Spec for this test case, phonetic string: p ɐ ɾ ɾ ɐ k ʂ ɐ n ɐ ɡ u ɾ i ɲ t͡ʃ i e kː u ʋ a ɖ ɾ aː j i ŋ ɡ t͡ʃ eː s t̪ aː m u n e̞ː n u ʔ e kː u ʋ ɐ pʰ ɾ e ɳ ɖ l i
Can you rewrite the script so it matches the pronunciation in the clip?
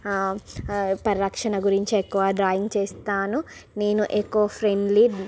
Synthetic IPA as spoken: p ɐ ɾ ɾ ɐ k ʂ ɐ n ɐ ɡ u ɾ i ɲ t͡ʃ i e kː u ʋ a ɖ ɾ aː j i ŋ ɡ t͡ʃ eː s t̪ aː n u n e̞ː n u ʔ e kː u ʋ ɐ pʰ ɾ e ɳ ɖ l i